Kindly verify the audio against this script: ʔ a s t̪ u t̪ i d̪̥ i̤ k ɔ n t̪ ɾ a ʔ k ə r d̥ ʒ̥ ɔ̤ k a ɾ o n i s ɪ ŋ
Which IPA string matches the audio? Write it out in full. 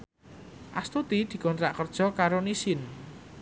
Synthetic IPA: ʔ a s t̪ u t̪ i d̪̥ i̤ k ɔ n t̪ ɾ a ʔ k ə r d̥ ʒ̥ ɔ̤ k a ɾ o n i s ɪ n